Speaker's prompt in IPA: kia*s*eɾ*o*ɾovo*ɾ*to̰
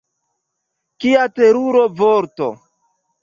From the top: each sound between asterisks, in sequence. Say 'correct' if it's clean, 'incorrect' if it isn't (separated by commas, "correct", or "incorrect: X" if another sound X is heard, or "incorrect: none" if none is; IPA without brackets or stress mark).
incorrect: t, incorrect: u, correct